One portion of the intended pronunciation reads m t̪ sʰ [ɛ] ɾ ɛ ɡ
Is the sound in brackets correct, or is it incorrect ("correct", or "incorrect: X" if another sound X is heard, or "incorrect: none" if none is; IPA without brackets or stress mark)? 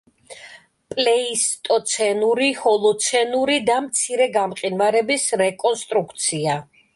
incorrect: i